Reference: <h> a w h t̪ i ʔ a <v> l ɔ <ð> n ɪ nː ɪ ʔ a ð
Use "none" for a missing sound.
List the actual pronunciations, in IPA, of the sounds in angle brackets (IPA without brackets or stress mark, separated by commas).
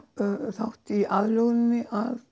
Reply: θ, ð, ɣ